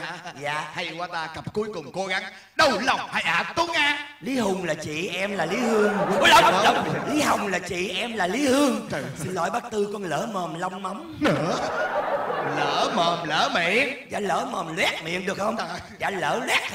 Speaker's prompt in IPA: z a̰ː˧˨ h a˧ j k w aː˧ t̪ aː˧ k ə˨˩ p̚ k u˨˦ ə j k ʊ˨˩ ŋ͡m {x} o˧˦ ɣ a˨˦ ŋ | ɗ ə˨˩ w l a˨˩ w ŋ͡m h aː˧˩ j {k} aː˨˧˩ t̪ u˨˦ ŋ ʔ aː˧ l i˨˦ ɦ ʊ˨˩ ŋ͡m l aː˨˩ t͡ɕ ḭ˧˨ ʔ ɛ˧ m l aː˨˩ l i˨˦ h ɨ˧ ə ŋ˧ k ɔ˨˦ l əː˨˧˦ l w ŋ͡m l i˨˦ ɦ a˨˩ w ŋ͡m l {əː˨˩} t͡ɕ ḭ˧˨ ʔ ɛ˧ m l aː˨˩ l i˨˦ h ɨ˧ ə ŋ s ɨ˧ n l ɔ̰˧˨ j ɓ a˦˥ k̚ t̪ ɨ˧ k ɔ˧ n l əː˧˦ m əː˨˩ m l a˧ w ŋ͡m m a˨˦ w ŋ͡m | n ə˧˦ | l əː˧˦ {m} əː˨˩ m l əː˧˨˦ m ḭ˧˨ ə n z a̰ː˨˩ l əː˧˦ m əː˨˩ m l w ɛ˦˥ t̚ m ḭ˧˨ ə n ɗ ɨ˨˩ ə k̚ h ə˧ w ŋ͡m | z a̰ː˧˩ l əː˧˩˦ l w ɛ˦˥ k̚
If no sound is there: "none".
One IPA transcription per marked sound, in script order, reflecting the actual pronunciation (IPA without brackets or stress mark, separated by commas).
k, ʔ, aː˨˩, m